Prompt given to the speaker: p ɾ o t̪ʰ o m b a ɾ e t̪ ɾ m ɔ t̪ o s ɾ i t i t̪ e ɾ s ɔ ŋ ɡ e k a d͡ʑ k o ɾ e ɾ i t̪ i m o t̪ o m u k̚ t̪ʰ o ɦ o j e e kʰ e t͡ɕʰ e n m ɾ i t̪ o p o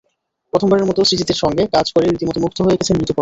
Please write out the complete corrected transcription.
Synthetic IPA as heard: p ɾ o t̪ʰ o m b a ɾ e ɾ m ɔ t̪ o s ɾ i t i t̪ e ɾ ʃ ɔ ŋ ɡ e k a d͡ʑ k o ɾ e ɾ i t̪ i m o t̪ o m u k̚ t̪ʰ o ɦ o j e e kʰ e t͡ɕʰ e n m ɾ i t̪ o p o